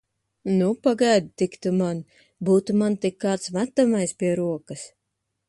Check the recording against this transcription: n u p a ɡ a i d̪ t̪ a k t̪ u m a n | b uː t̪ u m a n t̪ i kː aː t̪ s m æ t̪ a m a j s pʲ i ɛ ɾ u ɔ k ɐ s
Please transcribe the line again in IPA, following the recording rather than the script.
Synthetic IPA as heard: n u p a ɡ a j d̪ t̪ i k t̪ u m a n | b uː t̪ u m a n t̪ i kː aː t̪ s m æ t̪ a m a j s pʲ i ɛ ɾ u ɔ k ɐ s

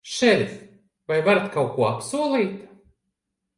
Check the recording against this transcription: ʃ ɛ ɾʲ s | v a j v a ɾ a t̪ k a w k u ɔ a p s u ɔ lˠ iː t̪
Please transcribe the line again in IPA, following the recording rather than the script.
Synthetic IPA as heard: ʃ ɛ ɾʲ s | v a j v a ɾ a t̪ k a w k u ɔ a p s u ɔ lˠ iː t̪

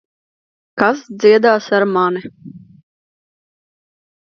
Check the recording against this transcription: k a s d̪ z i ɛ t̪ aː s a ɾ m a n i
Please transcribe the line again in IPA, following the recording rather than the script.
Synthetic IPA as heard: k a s d̪ z i ɛ d̪ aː s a ɾ m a n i

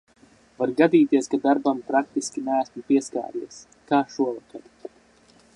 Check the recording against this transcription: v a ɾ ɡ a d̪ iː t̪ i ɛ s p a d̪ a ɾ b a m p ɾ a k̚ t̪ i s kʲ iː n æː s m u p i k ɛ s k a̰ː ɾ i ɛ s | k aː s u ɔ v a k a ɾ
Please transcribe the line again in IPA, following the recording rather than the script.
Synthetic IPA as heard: v a ɾ ɡ a d̪ iː t̪ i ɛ s k a d̪ a ɾ b a m p ɾ a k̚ t̪ i s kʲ i n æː s m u p i ɛ s k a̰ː ɾ i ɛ s | k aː ʃ u ɔ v a k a ɾ

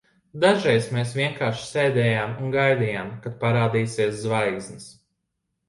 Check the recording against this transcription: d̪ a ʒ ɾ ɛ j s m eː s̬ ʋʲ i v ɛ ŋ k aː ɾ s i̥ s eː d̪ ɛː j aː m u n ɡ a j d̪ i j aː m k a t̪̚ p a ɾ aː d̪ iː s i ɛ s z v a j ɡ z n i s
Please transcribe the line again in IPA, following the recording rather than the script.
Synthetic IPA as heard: d̪ a ʒ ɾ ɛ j s m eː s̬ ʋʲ i ɛ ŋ k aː ɾ ʃ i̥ s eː d̪ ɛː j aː m u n ɡ a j d̪ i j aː m k a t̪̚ p a ɾ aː d̪ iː s i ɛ s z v a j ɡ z n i s

